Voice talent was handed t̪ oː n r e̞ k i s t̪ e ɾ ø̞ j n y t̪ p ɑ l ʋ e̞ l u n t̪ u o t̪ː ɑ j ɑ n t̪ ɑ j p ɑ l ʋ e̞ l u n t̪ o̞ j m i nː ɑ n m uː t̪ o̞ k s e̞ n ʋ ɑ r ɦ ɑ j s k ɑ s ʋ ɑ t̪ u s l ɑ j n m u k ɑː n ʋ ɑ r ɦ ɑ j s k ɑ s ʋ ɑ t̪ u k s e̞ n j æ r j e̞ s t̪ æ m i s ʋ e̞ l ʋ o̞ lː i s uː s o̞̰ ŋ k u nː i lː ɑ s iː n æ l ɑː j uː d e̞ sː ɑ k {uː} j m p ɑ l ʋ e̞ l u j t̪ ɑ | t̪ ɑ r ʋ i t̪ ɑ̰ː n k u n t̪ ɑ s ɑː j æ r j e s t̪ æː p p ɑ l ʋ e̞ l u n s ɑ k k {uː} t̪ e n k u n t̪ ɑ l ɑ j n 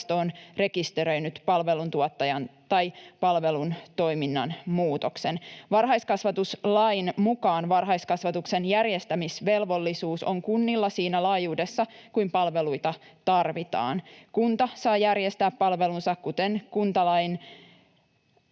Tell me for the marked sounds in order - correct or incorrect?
incorrect: u, incorrect: u

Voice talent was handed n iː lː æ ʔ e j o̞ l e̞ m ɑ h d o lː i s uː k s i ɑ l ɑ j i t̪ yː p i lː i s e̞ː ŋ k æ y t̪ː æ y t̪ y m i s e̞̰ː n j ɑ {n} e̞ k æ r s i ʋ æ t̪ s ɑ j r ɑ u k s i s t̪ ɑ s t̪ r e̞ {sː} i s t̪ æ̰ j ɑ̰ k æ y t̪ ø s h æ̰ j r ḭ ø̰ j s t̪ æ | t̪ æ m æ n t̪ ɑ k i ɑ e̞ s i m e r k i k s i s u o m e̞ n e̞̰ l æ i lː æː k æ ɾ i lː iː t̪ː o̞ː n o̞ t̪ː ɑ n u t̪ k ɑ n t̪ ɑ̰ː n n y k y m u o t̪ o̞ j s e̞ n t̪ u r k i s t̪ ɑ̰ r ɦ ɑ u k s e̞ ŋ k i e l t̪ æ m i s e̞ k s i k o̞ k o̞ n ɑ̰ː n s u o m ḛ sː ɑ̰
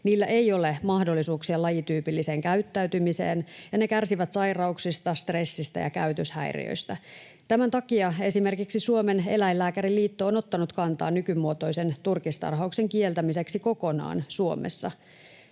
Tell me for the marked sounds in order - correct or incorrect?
correct, correct

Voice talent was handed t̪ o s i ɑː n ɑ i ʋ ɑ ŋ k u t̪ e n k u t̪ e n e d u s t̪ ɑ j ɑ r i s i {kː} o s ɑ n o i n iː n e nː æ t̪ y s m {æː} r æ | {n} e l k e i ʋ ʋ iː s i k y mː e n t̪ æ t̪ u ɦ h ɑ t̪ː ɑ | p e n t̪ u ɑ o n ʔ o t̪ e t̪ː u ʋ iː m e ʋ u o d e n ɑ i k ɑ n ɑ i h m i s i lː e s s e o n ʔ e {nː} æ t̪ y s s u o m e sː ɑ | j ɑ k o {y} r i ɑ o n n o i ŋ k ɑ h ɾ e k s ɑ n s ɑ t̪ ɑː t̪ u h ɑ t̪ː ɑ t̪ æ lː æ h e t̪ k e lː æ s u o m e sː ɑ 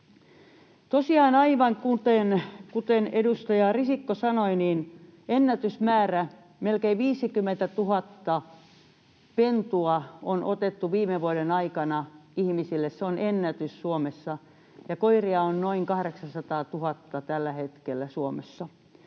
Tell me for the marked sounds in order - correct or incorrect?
correct, correct, incorrect: m, correct, incorrect: i

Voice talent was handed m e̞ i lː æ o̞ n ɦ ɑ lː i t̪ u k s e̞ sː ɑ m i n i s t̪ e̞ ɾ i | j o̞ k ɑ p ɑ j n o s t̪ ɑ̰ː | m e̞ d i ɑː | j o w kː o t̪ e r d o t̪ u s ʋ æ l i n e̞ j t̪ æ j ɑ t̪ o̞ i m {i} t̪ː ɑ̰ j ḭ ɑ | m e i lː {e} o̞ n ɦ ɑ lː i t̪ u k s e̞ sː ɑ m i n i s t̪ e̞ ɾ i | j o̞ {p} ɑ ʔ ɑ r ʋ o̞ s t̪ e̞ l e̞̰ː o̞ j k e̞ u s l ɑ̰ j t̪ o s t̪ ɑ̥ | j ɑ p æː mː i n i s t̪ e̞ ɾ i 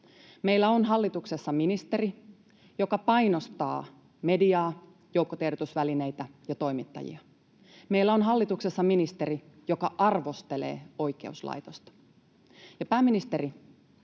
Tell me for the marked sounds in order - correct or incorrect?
correct, incorrect: æ, incorrect: k

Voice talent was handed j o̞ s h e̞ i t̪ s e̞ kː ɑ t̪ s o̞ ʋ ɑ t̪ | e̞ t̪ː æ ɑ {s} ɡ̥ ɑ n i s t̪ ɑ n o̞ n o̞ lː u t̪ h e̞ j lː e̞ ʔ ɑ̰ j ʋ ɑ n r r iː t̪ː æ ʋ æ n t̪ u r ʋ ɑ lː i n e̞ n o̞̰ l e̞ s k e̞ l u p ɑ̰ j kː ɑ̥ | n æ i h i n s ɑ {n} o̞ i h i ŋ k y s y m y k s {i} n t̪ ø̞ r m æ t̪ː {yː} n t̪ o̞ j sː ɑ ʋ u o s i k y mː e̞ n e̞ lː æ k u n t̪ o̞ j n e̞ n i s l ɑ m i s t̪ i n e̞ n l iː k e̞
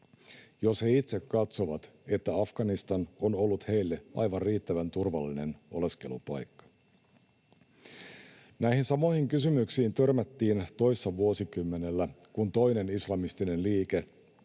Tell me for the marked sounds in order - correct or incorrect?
incorrect: f, incorrect: m, incorrect: iː, incorrect: iː

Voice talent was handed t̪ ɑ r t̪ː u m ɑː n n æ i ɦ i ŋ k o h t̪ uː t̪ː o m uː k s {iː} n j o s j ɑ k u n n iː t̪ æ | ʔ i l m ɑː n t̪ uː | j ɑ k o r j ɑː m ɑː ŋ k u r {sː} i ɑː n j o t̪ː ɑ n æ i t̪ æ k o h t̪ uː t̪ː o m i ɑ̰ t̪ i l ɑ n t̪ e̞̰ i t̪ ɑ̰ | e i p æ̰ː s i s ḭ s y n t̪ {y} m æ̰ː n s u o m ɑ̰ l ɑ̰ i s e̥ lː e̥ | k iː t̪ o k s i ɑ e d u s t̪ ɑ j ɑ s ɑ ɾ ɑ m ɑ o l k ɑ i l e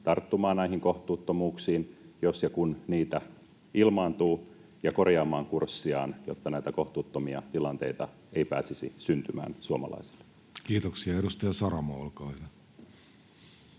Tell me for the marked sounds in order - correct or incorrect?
correct, correct, correct

